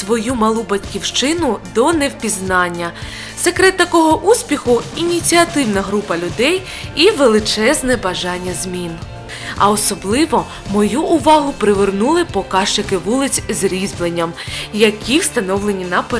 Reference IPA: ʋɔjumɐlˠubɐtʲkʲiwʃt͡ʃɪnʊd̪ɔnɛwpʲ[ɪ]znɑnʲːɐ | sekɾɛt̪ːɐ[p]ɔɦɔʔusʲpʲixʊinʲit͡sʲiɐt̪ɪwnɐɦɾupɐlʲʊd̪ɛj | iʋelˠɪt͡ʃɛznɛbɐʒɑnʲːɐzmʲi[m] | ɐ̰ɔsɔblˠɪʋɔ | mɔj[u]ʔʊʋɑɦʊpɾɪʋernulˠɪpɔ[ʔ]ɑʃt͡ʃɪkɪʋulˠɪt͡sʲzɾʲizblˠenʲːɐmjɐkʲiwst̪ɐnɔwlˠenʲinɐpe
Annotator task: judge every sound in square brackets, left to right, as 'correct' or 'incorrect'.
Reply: incorrect: i, incorrect: k, incorrect: n, correct, incorrect: k

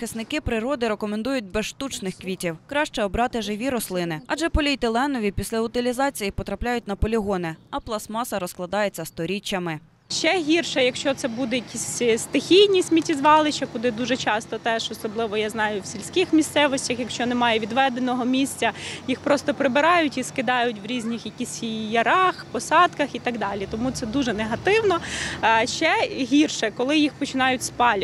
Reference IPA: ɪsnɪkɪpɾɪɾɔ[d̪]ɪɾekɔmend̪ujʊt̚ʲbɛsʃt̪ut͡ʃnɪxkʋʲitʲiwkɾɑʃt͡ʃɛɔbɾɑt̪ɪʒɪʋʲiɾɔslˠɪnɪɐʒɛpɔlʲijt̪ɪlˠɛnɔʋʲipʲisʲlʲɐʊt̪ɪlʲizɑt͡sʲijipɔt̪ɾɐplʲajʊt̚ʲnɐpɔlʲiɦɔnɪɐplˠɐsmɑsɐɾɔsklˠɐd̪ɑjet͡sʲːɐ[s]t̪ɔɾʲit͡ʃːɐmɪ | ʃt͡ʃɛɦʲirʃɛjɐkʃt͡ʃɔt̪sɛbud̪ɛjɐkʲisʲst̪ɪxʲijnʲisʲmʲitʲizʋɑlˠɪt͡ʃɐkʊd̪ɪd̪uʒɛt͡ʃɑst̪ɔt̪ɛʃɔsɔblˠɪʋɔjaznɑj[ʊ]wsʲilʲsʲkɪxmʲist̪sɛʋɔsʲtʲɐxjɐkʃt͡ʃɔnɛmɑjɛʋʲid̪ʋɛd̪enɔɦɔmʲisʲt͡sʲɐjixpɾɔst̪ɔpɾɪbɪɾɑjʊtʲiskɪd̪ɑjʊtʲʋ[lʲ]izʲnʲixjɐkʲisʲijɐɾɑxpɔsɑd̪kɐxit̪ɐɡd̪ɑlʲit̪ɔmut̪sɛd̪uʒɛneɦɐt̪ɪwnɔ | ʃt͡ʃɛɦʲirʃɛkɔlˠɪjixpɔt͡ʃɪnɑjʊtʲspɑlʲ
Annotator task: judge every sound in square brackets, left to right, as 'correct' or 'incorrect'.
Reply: correct, correct, correct, incorrect: ɾʲ

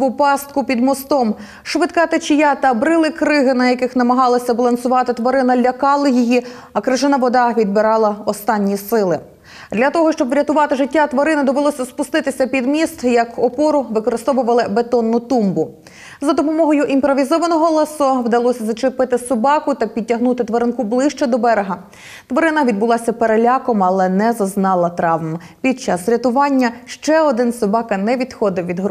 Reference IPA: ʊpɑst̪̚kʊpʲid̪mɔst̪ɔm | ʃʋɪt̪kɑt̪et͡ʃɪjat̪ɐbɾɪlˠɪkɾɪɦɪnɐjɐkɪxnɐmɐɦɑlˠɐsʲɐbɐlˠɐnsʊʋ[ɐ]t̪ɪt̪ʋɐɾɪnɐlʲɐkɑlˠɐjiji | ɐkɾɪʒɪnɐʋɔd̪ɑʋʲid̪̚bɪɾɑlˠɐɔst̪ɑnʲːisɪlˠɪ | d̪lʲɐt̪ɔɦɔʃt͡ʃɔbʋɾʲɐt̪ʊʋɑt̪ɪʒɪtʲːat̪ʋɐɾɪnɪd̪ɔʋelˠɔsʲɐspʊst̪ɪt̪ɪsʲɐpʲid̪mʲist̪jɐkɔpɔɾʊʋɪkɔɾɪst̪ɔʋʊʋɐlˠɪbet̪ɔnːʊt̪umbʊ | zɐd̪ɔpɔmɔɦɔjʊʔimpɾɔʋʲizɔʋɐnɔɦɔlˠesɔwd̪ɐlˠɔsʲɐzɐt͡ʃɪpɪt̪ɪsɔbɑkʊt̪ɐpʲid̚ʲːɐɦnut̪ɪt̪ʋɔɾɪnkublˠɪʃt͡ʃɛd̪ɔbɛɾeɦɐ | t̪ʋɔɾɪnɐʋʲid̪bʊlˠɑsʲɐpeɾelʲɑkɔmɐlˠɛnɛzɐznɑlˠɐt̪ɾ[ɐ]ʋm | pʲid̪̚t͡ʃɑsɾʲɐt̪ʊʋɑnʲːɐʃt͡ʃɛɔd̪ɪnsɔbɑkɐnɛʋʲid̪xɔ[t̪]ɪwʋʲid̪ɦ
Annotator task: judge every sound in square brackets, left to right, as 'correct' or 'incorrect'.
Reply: incorrect: ɑ, incorrect: ɑ, incorrect: d̪

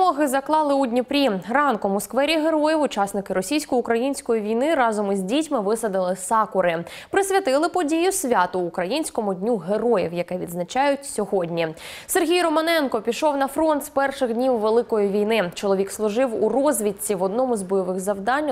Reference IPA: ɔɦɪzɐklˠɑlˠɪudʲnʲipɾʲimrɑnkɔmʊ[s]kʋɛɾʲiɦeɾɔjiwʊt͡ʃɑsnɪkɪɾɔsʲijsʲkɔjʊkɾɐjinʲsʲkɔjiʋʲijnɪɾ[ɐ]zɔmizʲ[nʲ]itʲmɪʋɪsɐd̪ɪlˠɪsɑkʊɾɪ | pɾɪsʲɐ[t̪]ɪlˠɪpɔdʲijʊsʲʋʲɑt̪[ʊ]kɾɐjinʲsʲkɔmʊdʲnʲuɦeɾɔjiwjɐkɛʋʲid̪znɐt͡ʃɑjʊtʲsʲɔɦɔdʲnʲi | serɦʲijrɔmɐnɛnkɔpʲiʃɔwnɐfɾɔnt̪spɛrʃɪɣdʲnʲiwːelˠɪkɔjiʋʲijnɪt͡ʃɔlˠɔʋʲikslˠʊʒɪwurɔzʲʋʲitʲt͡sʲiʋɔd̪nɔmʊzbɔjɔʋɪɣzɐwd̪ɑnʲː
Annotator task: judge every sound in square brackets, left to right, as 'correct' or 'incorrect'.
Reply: correct, incorrect: ɑ, incorrect: dʲ, correct, incorrect: ʊː

